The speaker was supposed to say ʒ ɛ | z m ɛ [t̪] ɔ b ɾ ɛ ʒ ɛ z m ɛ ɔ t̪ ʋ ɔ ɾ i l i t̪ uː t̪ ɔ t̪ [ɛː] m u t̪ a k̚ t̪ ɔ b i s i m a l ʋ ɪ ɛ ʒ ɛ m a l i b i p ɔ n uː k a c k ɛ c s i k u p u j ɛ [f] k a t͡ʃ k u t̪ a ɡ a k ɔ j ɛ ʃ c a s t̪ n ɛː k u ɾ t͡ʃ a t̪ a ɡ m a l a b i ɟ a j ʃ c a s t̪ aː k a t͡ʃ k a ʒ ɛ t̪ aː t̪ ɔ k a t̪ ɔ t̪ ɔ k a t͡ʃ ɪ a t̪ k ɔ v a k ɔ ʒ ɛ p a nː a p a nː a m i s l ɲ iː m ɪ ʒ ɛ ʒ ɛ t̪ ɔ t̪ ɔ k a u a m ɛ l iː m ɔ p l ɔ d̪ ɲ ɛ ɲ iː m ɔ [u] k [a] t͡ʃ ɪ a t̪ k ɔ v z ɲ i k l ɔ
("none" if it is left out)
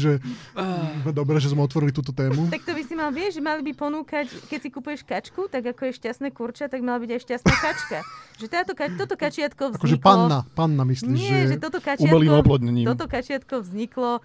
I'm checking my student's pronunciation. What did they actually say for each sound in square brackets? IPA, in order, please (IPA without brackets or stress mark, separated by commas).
d̪, ɛː, ʃ, ɔ, a